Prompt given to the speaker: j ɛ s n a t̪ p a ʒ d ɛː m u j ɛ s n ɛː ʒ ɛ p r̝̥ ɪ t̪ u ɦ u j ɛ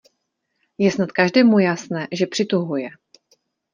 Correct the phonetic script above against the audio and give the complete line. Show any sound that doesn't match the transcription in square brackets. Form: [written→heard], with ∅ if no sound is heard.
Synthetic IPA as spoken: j ɛ s n a t̪ [p→k] a ʒ d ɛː m u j [ɛ→a] s n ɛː ʒ ɛ p r̝̥ ɪ t̪ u ɦ u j ɛ